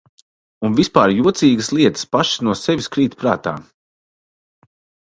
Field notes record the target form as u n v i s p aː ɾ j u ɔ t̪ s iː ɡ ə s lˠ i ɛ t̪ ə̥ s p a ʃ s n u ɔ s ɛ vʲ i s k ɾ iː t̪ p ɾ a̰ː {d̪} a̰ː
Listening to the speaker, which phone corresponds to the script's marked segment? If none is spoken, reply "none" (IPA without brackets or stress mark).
t̪